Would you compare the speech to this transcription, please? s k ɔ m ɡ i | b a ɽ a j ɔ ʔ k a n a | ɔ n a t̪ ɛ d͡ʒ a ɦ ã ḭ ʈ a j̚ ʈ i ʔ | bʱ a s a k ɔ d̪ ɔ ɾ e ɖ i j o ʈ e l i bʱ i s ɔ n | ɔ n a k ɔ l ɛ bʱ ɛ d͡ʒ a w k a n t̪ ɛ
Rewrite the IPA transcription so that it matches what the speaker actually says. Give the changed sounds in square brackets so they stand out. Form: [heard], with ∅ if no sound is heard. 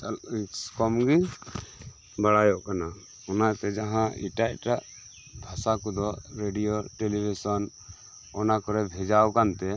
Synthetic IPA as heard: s k ɔ m ɡ i | b a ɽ a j ɔ ʔ k a n a | ɔ n a t̪ ɛ d͡ʒ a ɦ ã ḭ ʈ a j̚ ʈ [a] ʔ | bʱ a s a k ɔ d̪ ɔ ɾ e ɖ i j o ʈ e l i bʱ i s ɔ n | ɔ n a k ɔ [ɾ] ɛ bʱ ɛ d͡ʒ a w k a n t̪ ɛ